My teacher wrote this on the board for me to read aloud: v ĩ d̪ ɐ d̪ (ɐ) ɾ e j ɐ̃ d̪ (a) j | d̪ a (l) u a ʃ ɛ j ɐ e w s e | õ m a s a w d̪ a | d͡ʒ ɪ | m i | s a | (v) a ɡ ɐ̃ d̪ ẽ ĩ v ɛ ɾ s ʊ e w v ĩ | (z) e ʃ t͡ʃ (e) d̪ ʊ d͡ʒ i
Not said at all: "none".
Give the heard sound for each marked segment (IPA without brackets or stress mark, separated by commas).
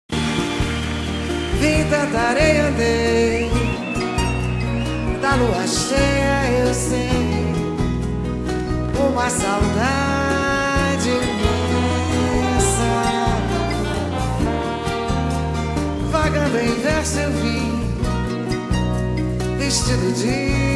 a, e, l, v, v, i